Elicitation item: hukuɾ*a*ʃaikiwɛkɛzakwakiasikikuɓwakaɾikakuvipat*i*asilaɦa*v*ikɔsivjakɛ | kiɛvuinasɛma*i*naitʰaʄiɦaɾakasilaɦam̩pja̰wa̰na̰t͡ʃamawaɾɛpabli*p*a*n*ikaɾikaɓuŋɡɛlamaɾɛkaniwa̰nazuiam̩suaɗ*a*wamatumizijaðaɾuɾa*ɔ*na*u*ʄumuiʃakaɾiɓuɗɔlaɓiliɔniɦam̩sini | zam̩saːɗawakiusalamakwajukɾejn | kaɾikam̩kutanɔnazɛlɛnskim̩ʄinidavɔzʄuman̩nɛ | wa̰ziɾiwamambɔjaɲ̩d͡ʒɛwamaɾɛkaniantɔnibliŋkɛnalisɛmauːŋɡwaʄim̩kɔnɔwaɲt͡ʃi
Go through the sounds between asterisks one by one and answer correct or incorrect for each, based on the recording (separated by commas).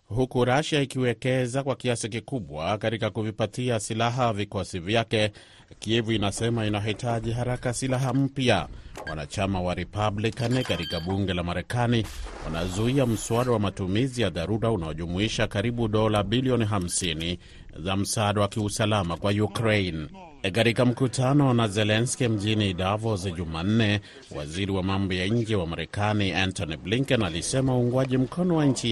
correct, correct, correct, correct, incorrect, correct, correct, incorrect, incorrect